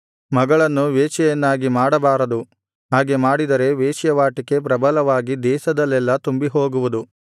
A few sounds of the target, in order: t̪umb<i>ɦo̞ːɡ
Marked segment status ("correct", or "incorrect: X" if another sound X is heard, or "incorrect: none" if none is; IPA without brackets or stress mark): correct